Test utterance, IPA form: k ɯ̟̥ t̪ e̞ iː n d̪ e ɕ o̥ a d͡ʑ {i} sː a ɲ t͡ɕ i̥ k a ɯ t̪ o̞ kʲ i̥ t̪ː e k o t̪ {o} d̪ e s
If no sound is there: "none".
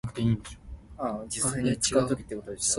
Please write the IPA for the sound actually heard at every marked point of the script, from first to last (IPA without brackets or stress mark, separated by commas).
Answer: i, o